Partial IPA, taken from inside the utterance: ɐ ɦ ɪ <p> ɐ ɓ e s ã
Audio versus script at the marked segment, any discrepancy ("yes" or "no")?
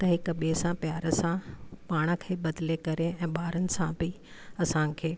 yes